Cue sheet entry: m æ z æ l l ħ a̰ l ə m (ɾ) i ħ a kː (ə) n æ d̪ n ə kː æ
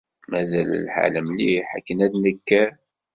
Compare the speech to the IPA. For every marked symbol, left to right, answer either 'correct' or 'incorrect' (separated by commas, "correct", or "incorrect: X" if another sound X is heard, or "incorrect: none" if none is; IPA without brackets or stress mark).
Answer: incorrect: l, correct